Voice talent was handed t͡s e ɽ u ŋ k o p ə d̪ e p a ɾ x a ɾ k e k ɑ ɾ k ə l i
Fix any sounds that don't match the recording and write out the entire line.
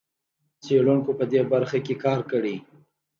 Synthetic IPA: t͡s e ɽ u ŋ k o p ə d̪ e b a ɾ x a k e k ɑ ɾ k ə ɽ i